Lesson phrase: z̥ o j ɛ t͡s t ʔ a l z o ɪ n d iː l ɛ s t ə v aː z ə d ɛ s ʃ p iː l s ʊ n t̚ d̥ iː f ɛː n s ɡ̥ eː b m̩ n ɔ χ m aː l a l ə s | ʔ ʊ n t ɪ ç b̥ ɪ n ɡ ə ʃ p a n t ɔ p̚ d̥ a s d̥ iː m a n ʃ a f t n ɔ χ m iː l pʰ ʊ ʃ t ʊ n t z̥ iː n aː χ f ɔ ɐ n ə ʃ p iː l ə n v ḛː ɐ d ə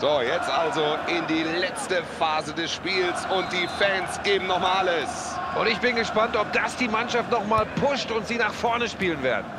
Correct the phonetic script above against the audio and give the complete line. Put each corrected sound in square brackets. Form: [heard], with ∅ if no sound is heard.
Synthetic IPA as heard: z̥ o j ɛ t͡s t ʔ a l z o ɪ n d iː l ɛ [t͡s] t ə [f] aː z ə d ɛ s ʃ p iː l s ʊ n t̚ d̥ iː f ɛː n s ɡ̥ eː b m̩ n ɔ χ m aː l a l ə s | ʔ ʊ n t ɪ ç b̥ ɪ n ɡ ə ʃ p a n t ɔ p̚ d̥ a s d̥ iː m a n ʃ a f t n ɔ χ m [aː] l pʰ ʊ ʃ t ʊ n t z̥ iː n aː χ f ɔ ɐ n ə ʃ p iː l ə n v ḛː ɐ d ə